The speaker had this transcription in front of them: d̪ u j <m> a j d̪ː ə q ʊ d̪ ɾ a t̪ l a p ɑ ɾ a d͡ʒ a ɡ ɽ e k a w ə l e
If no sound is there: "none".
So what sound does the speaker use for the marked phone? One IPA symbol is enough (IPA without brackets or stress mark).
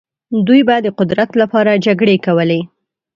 b